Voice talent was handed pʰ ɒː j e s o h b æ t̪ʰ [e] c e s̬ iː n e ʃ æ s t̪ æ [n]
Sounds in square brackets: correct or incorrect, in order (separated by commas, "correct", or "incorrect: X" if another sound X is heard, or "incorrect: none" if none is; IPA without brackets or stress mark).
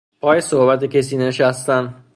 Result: correct, correct